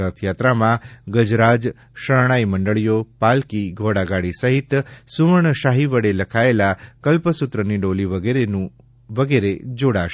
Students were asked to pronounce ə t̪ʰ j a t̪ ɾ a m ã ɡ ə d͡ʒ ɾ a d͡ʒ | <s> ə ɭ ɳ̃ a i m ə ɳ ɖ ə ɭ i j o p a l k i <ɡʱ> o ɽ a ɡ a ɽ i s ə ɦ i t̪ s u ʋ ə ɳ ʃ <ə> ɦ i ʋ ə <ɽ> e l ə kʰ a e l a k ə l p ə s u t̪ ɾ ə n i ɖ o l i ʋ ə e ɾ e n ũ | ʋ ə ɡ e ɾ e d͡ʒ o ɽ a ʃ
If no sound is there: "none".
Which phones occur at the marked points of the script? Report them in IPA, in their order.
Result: ʃ, ɡʱ, a, ɽ

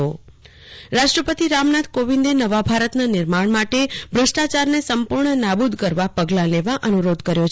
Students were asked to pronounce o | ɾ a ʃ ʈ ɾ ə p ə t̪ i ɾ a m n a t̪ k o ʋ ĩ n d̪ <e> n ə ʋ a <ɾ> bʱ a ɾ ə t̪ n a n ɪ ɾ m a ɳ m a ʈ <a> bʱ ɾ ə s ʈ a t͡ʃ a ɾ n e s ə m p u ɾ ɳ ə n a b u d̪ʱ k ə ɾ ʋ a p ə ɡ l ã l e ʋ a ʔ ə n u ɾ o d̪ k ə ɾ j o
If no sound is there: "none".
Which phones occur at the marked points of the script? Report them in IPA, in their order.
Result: e, none, e

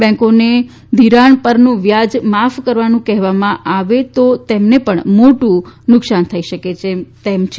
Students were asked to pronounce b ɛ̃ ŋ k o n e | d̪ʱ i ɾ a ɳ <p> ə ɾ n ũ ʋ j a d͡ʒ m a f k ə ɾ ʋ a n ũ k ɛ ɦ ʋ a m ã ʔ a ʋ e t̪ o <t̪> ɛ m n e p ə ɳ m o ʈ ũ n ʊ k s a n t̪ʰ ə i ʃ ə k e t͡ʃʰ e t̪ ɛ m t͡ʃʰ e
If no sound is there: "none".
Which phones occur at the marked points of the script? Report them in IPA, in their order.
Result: p, t̪

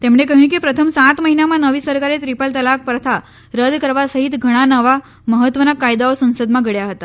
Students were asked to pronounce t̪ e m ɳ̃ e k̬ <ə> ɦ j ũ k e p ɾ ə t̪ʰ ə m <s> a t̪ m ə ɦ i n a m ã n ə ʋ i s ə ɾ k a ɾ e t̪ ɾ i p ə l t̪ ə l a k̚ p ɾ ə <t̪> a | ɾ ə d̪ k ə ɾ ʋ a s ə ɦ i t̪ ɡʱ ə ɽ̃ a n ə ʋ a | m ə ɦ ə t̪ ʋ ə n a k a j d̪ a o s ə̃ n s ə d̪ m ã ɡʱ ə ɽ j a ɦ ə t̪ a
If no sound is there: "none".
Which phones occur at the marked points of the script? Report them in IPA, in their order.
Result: ə, s, t̪ʰ

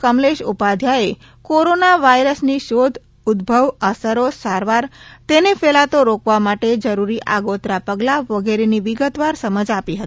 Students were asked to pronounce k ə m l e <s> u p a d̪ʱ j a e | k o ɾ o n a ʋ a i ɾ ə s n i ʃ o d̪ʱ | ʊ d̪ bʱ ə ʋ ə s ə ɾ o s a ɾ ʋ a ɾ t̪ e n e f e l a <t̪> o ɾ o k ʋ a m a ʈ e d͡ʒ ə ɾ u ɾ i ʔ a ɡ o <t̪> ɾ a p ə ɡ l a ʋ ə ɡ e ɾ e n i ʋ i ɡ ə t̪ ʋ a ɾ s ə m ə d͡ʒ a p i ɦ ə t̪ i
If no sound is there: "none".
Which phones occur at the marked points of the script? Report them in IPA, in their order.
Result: ʃ, t̪, t̪

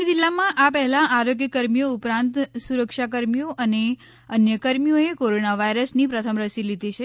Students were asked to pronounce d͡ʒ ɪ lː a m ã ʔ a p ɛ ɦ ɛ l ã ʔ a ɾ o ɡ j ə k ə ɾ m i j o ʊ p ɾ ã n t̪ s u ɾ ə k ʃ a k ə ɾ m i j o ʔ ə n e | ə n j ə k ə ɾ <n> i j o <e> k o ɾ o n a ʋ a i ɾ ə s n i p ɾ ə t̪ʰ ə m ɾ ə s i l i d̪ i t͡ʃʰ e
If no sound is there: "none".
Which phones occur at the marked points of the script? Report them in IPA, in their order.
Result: m, e

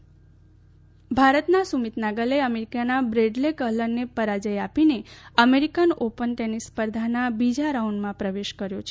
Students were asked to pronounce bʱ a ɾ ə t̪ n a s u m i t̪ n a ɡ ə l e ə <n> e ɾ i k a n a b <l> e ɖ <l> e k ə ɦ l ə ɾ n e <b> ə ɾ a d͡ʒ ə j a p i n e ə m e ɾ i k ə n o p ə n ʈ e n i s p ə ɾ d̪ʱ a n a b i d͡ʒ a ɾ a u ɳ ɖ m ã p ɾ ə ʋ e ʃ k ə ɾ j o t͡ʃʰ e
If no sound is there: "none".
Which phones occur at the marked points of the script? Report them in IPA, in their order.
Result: m, ɾ, l, p

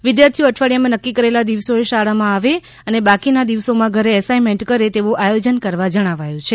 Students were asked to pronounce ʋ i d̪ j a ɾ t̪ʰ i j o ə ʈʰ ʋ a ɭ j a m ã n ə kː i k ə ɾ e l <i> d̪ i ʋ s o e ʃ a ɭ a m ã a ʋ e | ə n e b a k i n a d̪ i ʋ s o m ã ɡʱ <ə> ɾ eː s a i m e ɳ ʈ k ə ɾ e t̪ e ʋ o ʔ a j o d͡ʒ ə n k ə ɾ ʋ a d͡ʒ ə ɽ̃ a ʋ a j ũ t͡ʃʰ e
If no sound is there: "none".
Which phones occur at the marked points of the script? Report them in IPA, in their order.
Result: a, ə

